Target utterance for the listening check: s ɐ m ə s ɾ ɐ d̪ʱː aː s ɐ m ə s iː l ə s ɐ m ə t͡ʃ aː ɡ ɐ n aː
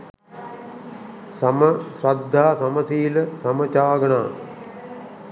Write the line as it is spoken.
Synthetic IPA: s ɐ m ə s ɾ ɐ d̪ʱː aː s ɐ m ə s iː l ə s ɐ m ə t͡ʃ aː ɡ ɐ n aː